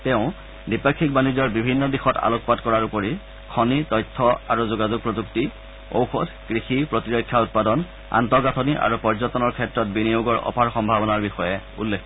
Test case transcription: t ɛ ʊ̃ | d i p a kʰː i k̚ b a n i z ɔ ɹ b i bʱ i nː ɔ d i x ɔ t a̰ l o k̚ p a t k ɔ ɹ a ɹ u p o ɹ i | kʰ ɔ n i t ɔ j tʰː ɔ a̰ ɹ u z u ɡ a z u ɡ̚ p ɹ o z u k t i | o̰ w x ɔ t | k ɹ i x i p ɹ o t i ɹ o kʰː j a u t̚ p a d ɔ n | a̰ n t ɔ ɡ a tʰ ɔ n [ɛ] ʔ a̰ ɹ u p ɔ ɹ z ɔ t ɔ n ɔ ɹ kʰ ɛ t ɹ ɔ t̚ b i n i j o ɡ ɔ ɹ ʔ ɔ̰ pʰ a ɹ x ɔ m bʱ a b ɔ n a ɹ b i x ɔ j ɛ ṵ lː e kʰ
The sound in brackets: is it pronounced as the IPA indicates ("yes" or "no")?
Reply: no